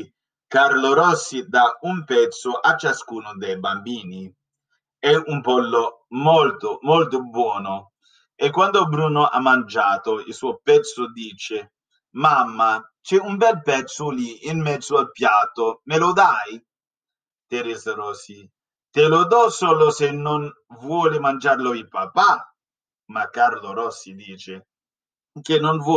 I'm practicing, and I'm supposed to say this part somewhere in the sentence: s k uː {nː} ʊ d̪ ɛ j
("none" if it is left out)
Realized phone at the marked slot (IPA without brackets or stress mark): n